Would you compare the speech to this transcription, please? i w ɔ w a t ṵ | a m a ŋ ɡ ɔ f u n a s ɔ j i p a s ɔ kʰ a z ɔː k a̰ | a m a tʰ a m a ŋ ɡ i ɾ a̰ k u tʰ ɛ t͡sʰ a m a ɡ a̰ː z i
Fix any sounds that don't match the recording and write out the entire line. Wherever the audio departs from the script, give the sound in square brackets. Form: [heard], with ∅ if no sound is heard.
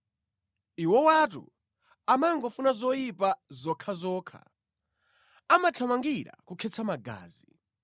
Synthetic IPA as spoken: i w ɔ w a t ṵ | a m a ŋ ɡ ɔ f u n a [z] ɔ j i p a [z] ɔ kʰ a z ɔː [kʰ] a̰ | a m a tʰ a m a ŋ ɡ i ɾ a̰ k u [kʰ] ɛ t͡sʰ a m a ɡ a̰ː z i

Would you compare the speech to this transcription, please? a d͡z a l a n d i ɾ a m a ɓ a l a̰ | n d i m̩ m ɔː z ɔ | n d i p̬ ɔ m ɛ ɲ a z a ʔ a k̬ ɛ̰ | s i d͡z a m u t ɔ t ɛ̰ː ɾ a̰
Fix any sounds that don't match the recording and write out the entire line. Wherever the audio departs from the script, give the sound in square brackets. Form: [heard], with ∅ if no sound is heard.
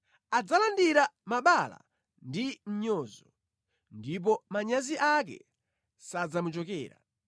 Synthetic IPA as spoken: a d͡z a l a n d i ɾ a m a ɓ a l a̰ | n d i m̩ [ɲ] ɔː z ɔ | n d i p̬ ɔ m [a] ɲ a z [i] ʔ a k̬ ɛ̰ | s [a] d͡z a m u [t͡ʃ] ɔ [k] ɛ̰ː ɾ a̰

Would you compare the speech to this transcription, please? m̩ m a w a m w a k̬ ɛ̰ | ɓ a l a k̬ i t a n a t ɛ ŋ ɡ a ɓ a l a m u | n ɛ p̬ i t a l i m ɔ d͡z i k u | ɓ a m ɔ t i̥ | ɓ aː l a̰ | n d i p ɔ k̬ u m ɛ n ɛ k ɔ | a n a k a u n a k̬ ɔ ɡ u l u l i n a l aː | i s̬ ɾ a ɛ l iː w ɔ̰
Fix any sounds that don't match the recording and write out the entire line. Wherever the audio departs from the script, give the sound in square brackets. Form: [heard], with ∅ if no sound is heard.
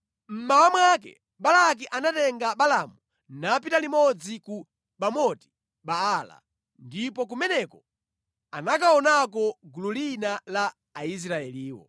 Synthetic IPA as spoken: m̩ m a w a m w a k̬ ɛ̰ | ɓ a l a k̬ i [ʔ] a n a t ɛ ŋ ɡ a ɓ a l a m u | n [a] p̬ i t a l i m ɔ d͡z i k u | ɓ a m ɔ t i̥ | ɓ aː l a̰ | n d i p ɔ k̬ u m ɛ n ɛ k ɔ | a n a k a [ɔ] n a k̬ ɔ ɡ u l u l i n a l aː | i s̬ ɾ a ɛ l iː w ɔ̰

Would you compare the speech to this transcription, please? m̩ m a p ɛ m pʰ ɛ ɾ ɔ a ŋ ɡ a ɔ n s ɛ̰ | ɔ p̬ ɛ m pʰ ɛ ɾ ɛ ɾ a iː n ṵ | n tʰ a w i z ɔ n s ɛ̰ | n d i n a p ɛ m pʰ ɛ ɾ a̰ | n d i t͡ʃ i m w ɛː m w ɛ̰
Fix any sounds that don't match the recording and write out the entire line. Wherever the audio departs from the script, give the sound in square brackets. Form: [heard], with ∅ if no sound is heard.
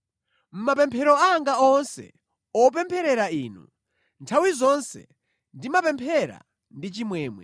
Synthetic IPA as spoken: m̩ m a p ɛ m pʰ ɛ ɾ ɔ a ŋ ɡ a ɔ n s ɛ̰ | ɔ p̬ ɛ m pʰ ɛ ɾ ɛ ɾ a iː n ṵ | n tʰ a w i z ɔ n s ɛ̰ | n d i [m] a p ɛ m pʰ ɛ ɾ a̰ | n d i t͡ʃ i m w ɛː m w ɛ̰

